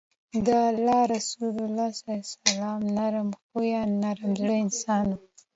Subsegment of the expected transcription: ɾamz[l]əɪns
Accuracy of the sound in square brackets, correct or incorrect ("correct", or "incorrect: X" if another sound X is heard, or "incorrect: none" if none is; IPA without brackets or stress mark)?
incorrect: ɽ